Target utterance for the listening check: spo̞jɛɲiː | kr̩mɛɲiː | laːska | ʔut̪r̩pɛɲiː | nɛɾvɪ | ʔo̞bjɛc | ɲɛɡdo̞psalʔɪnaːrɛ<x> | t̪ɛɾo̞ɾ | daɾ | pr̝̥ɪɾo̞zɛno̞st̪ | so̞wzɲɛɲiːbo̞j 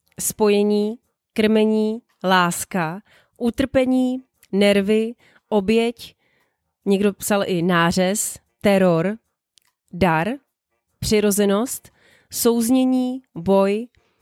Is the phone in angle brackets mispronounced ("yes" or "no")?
yes